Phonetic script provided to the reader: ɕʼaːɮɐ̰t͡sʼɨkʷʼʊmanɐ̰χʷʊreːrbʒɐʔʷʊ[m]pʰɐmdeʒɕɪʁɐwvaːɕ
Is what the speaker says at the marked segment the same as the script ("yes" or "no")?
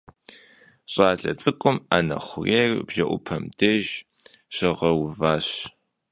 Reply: no